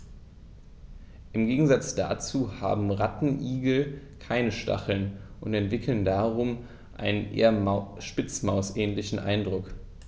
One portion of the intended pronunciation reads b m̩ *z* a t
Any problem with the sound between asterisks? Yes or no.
yes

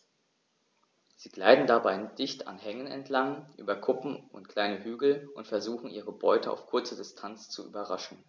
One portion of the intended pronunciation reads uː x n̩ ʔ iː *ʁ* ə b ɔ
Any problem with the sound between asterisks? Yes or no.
no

